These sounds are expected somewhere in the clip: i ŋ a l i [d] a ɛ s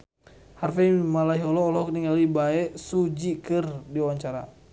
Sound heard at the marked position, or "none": b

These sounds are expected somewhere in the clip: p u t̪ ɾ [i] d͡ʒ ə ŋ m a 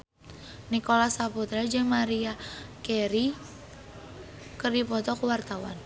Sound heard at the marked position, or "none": a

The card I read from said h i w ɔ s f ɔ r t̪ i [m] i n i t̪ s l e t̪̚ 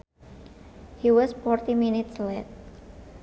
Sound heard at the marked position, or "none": m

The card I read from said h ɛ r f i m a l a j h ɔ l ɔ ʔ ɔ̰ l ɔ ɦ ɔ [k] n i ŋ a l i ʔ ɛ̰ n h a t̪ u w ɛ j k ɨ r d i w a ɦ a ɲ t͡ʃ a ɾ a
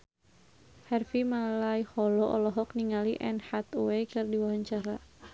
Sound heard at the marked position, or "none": k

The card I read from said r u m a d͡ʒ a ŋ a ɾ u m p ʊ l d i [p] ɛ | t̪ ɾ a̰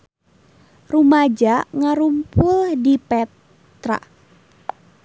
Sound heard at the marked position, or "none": p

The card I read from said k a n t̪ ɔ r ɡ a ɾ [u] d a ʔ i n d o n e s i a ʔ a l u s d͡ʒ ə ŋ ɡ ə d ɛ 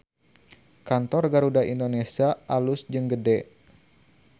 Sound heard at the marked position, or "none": u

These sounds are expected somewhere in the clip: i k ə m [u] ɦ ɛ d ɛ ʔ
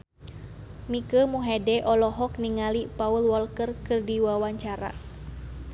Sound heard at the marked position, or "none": u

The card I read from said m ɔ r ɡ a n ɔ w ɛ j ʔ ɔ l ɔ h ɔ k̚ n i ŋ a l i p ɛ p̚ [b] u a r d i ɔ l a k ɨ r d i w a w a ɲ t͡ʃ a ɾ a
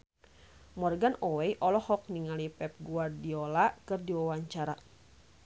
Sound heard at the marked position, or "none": ɡ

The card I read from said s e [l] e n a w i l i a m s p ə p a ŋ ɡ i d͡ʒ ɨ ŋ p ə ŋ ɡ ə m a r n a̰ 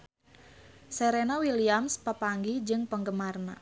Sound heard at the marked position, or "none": ɾ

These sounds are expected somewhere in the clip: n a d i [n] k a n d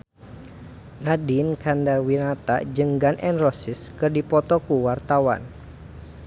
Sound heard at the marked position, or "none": n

